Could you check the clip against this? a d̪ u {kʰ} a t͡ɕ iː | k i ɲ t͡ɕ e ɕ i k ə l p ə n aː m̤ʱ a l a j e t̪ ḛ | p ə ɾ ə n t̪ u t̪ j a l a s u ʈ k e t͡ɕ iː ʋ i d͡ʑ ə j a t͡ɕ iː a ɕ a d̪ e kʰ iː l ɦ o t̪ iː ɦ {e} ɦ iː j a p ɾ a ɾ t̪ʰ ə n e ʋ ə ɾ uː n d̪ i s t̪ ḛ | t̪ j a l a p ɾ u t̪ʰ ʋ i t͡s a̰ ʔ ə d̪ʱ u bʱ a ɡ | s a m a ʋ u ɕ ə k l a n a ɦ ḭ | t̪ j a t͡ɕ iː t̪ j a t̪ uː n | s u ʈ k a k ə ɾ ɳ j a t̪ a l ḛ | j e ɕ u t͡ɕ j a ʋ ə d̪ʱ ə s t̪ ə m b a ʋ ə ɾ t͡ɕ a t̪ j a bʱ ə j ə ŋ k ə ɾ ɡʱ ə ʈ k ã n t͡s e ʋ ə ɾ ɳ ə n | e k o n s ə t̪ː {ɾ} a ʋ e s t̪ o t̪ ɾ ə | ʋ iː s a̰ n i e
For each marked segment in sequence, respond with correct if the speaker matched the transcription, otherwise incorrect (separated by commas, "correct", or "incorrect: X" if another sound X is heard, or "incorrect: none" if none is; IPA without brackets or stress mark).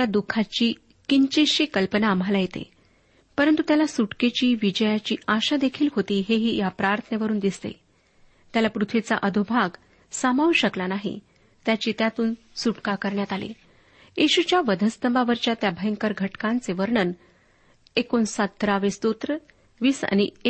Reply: correct, correct, correct